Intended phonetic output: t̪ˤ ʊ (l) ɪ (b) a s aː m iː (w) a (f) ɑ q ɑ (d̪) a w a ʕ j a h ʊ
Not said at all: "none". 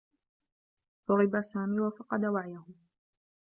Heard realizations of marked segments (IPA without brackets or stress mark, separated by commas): ɾ, b, w, f, d̪